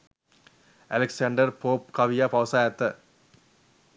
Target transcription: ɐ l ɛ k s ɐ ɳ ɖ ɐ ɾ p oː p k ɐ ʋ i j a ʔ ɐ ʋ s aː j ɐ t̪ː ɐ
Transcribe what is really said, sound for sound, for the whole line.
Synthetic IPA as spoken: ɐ l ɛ k s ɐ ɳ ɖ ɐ ɾ p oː p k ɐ ʋ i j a p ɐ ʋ s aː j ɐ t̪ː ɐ